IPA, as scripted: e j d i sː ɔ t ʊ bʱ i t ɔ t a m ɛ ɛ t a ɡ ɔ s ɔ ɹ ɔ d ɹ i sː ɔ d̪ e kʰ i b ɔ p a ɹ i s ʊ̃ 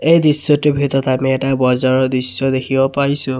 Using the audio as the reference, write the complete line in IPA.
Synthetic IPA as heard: e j d i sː ɔ t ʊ bʱ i t ɔ t a m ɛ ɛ t a b ɔ z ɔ ɹ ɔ d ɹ i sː ɔ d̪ e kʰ i b ɔ p a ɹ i s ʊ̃